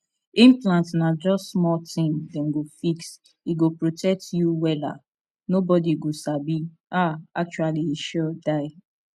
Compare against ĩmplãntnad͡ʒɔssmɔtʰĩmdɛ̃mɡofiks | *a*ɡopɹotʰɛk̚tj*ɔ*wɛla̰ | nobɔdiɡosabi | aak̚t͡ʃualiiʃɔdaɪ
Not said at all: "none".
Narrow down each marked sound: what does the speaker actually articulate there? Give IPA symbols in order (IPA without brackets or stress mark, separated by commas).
i, u